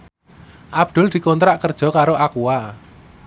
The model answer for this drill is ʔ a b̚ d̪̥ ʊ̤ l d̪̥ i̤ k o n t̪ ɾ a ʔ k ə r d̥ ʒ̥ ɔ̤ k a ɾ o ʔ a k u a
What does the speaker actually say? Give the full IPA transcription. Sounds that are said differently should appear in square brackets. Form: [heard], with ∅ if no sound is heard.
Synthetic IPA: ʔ a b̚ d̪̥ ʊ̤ l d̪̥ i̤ k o n t̪ ɾ a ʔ k ə r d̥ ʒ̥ ɔ̤ k a ɾ o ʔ a k u a